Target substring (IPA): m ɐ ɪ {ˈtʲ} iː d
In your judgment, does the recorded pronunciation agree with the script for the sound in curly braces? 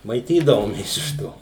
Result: yes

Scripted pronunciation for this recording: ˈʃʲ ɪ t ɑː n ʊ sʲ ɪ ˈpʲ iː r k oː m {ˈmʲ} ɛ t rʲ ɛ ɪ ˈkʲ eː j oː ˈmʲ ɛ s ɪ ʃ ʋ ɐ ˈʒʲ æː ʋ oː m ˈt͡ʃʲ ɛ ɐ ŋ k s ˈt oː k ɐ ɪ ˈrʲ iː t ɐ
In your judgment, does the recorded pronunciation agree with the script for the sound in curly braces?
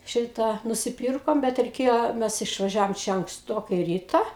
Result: no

